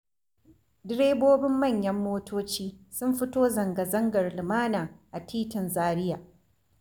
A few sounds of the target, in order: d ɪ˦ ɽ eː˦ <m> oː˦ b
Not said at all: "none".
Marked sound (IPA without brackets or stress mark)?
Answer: b